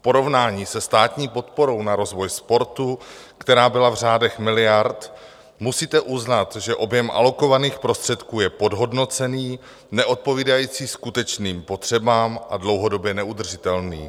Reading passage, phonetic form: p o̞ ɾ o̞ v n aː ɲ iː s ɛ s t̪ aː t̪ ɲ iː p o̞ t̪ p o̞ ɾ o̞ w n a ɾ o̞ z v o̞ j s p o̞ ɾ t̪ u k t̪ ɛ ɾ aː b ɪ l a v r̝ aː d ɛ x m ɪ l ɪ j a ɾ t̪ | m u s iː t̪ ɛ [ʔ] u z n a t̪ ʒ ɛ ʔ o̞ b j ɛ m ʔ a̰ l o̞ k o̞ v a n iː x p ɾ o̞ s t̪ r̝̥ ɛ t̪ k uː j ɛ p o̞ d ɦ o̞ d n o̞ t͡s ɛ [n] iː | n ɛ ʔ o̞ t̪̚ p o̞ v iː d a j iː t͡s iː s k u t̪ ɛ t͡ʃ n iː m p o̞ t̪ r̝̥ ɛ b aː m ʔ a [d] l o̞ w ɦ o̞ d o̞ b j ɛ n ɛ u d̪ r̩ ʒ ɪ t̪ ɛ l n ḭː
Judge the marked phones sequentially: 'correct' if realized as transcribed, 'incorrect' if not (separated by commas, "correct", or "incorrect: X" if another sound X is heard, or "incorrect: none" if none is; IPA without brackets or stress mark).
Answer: correct, correct, correct